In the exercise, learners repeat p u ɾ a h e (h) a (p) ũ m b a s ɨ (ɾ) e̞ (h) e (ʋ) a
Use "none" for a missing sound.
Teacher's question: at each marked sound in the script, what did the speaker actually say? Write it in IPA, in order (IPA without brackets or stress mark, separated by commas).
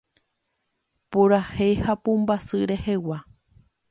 h, p, ɾ, h, w